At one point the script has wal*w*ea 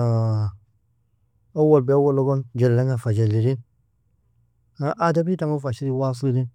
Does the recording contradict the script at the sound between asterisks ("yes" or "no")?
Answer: yes